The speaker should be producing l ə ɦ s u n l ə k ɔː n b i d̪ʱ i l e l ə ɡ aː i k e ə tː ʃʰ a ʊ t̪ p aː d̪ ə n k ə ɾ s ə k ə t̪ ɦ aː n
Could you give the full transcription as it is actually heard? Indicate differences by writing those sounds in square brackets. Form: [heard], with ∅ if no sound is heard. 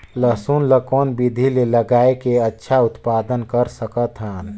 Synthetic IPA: l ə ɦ s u n l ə k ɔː n b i d̪ʱ i l e l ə ɡ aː [e] k e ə tː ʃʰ a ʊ t̪ p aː d̪ ə n k ə ɾ s ə k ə t̪ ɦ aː n